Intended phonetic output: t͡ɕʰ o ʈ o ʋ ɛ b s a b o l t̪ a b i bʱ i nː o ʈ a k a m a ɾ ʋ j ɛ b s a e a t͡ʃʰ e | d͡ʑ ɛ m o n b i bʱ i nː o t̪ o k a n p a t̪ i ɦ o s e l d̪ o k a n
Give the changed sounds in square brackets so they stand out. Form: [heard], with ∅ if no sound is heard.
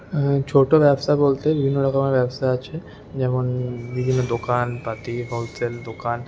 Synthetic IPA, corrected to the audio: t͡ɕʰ o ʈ o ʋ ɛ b s a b o l t̪ [e] b i bʱ i nː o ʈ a k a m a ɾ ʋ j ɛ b s a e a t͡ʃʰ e | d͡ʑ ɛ m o n b i bʱ i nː o [d̪] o k a n p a t̪ i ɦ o s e l d̪ o k a n